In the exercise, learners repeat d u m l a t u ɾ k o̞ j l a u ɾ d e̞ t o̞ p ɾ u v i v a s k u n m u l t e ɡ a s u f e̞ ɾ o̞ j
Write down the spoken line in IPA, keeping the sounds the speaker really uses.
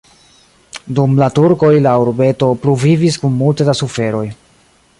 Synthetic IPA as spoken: d u m l a t u ɾ k o̞ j l a u ɾ b e̞ t o̞ p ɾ u v i v i s k u n m u l t e d a s u f e̞ ɾ o̞ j